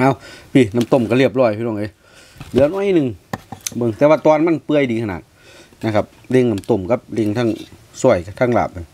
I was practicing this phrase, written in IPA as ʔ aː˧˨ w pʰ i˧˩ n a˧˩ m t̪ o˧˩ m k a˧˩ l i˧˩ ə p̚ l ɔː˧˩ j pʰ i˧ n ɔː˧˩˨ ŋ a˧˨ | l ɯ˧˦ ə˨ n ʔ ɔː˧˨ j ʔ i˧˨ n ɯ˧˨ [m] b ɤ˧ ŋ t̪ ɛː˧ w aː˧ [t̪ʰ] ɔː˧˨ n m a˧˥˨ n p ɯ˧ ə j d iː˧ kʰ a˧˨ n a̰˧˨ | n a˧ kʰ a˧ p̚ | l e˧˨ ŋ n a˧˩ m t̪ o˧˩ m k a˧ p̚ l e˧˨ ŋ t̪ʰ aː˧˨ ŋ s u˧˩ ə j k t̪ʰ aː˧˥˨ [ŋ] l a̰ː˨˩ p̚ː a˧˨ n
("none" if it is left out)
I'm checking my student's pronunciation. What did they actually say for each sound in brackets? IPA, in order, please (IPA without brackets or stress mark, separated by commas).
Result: ŋ, t̪, ŋ